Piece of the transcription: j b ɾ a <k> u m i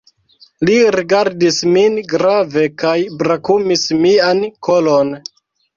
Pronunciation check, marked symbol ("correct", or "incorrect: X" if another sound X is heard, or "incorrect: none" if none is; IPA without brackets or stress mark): correct